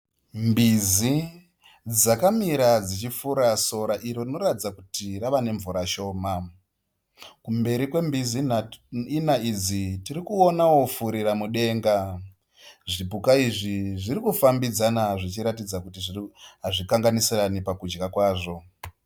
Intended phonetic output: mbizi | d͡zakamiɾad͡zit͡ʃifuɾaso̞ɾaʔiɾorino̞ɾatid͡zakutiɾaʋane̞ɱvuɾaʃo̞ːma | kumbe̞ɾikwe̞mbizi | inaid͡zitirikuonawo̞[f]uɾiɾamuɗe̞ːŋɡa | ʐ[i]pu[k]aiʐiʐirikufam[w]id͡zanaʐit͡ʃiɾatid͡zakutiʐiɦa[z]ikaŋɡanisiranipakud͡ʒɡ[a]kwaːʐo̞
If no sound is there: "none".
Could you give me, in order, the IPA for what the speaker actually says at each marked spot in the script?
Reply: f, i, k, b, ʐ, a

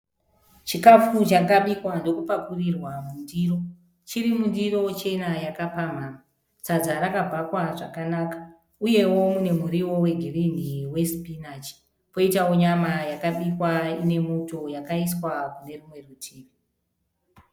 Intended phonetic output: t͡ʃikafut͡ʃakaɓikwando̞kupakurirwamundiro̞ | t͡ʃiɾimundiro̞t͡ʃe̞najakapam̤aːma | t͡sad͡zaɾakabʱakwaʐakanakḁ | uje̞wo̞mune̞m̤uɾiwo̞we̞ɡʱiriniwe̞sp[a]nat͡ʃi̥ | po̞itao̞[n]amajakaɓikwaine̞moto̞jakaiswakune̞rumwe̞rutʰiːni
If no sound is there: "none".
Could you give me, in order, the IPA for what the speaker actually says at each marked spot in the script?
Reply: i, ɲ

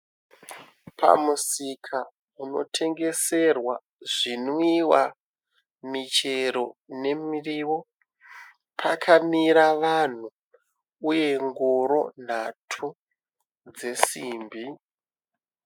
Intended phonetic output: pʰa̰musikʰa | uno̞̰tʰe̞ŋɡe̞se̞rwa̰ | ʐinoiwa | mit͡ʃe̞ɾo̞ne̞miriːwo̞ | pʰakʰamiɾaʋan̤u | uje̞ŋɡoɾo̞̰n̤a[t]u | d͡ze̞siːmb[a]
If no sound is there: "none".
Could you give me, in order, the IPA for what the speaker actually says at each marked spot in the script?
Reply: tʰ, i

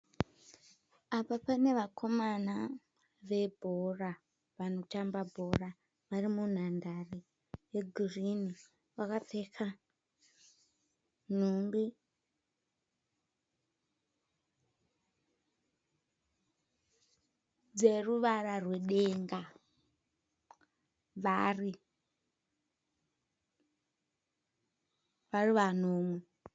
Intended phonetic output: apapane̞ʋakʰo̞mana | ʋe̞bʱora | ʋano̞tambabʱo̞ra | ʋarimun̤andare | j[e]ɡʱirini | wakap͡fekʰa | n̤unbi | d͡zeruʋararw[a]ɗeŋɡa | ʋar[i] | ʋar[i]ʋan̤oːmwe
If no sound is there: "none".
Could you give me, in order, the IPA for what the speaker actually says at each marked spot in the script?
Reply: e, e, i, i

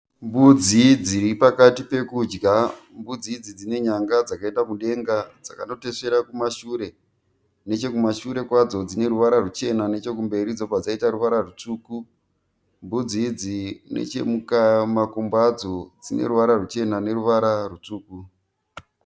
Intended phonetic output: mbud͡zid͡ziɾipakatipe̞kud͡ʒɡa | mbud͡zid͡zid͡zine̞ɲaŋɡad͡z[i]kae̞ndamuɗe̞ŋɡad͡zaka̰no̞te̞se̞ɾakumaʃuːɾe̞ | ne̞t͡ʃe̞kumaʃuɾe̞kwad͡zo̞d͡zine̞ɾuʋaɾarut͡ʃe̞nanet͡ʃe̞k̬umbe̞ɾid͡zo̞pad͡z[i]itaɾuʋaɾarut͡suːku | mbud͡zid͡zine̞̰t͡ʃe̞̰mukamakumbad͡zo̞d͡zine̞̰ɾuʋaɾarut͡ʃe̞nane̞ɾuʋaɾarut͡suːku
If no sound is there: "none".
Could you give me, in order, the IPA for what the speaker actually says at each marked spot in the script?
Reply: a, a

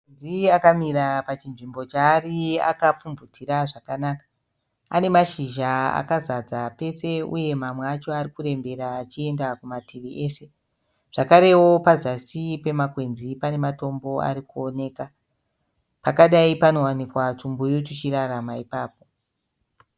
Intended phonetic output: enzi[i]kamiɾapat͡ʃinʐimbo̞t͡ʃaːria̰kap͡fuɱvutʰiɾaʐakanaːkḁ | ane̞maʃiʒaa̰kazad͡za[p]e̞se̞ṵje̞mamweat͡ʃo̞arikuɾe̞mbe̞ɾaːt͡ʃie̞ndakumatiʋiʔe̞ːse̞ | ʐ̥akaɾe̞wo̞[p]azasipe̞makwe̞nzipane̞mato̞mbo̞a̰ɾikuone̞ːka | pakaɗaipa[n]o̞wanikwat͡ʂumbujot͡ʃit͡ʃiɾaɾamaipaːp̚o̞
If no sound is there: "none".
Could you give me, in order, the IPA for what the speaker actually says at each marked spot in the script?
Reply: a, p, p, n

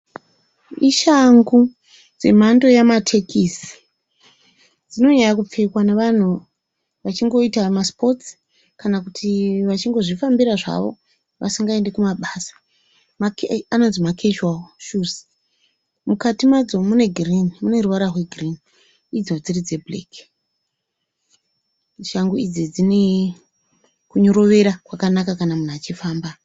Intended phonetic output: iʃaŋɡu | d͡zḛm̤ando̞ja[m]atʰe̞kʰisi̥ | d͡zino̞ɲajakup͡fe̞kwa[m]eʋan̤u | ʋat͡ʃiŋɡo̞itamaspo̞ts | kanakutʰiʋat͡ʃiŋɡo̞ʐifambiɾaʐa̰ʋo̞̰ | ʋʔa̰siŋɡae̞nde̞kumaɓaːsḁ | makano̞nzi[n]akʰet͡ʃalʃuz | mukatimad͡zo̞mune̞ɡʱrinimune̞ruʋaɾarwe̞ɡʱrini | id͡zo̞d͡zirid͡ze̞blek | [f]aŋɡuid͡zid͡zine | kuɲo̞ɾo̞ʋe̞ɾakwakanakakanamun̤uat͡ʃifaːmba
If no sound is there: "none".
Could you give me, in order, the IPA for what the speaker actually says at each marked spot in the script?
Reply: m, n, m, ʃ

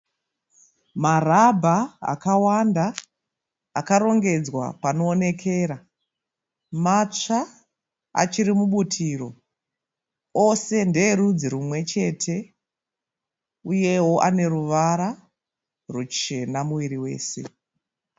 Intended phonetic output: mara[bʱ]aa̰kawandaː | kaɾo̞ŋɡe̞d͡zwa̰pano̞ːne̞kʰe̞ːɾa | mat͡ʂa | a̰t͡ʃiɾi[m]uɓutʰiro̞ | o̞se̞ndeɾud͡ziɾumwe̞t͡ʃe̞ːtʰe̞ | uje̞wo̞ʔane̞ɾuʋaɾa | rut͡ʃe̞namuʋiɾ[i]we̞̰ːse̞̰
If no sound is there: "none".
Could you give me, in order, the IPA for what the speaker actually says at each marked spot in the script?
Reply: bʱ, m, i

